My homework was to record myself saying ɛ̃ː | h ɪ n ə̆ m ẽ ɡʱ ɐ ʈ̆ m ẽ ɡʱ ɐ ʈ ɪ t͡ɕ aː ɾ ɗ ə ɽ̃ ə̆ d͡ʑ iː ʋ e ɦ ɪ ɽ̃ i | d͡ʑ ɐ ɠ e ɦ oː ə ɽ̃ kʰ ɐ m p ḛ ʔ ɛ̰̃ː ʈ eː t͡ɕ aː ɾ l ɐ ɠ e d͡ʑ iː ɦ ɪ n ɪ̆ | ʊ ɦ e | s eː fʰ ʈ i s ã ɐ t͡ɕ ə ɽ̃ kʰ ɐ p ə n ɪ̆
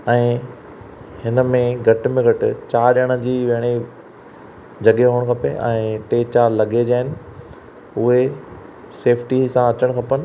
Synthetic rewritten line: ɛ̃ː | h ɪ n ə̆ m ẽ ɡʱ ɐ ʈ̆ m ẽ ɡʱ ɐ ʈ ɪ t͡ɕ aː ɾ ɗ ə ɽ̃ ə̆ d͡ʑ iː ʋ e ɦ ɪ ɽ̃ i | d͡ʑ ɐ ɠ e ɦ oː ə ɽ̃ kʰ ɐ p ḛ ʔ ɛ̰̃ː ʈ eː t͡ɕ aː ɾ l ɐ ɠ e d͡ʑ aː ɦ ɪ n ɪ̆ | ʊ ɦ e | s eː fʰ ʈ i s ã ɐ t͡ɕ ə ɽ̃ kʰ ɐ p ə n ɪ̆